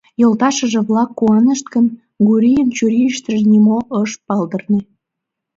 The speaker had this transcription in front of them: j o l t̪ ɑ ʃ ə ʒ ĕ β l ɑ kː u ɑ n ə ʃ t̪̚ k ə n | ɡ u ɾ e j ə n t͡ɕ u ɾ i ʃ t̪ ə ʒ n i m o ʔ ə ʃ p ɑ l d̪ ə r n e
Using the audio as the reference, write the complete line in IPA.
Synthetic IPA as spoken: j o l t̪ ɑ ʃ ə ʒ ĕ β l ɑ kː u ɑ n ə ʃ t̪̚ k ə n | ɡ u ɾ i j ə n t͡ɕ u ɾ i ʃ t̪ ə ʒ n i m o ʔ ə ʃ p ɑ l d̪ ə r n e